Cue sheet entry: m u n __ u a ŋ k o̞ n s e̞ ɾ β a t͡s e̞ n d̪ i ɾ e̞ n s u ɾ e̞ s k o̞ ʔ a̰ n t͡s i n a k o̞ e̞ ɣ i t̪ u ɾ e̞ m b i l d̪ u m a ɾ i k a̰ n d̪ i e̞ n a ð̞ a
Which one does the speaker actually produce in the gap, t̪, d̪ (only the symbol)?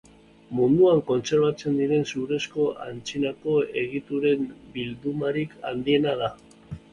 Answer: d̪